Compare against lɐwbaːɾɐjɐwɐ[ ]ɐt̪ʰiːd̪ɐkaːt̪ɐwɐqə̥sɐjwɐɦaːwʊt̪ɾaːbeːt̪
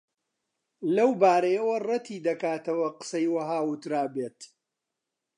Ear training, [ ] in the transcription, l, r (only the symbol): r